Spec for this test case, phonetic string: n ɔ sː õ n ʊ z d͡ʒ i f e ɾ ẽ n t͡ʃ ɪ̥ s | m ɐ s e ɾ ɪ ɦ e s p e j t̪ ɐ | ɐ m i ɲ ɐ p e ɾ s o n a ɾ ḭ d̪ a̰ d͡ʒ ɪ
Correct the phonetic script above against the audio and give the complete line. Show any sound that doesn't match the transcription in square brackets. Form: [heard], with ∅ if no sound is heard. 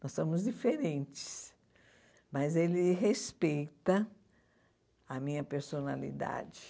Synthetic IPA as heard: n ɔ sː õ [m] ʊ z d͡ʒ i f e ɾ ẽ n t͡ʃ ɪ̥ s | m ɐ [z] e [l] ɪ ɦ e s p e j t̪ ɐ | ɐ m [ĩ] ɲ ɐ p e ɾ s o n a [l] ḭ d̪ a̰ d͡ʒ ɪ